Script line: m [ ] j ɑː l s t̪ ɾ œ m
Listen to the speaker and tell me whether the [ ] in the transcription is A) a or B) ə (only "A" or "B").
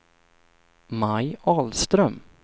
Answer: A